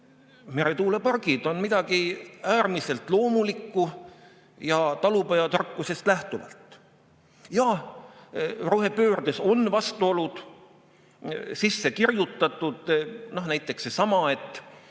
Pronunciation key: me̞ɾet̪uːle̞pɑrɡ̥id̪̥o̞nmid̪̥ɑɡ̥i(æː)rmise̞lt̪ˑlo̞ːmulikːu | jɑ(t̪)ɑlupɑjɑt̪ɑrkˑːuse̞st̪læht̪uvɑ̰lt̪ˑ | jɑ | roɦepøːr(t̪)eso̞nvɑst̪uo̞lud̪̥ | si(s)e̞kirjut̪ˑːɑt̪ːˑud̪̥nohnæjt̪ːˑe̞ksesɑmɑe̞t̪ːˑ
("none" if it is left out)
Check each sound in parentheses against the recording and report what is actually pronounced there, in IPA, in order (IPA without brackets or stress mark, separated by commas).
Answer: æː, t̪, d̪, sː